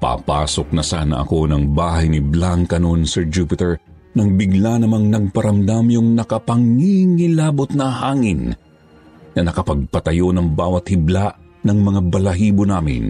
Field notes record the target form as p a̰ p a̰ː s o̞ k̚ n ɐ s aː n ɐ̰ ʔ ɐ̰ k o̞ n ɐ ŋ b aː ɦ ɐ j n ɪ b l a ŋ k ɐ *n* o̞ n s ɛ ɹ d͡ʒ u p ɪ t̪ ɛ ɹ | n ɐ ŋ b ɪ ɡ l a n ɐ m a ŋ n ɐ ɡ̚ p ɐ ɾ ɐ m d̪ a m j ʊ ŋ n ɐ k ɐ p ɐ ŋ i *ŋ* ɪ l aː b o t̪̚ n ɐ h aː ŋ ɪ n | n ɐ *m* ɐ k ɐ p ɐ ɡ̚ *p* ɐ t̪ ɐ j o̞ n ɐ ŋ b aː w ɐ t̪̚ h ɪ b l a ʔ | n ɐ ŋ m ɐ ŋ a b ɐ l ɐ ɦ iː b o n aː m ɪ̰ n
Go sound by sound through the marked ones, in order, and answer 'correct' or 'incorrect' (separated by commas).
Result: correct, correct, incorrect, correct